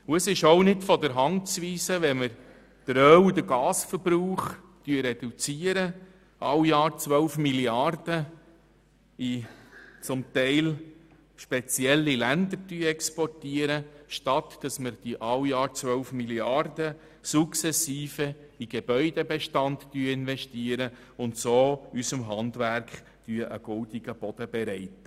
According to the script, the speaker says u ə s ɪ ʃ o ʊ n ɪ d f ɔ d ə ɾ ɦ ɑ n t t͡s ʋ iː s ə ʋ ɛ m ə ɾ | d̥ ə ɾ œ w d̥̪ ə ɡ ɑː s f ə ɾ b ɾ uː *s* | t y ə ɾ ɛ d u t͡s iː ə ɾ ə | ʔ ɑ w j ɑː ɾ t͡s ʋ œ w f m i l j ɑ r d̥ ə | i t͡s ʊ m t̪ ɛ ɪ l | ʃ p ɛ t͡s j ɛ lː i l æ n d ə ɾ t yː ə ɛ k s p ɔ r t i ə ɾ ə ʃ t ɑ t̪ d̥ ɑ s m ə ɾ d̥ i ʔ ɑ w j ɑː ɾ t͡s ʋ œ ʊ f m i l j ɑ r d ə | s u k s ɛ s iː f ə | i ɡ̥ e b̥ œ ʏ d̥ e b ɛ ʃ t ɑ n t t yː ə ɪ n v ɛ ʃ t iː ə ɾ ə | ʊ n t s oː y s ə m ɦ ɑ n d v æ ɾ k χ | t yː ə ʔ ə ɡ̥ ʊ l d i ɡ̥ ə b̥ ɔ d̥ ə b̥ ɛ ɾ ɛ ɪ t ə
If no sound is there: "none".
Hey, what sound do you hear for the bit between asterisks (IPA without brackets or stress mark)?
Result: χ